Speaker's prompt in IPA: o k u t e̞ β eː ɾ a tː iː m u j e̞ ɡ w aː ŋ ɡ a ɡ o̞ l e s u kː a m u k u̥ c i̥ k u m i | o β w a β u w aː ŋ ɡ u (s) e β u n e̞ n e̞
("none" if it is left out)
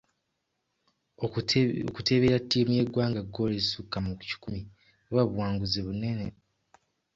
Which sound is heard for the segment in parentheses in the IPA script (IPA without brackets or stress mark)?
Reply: z